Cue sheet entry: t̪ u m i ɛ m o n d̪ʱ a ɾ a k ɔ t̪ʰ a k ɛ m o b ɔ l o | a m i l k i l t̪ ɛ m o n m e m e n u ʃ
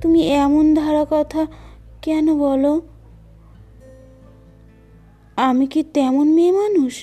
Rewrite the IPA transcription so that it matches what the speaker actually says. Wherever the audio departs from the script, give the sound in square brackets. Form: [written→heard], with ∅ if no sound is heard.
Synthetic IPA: t̪ u m i ɛ m o n d̪ʱ a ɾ a k ɔ t̪ʰ a k ɛ [m→n] o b ɔ l o | a m i [l→∅] k i [l→∅] t̪ ɛ m o n m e m [e→a] n u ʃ